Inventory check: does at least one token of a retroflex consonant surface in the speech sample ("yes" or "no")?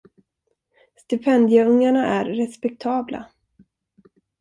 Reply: yes